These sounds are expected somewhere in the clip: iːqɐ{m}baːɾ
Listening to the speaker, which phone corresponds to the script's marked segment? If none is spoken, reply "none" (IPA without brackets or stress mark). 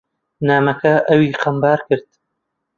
m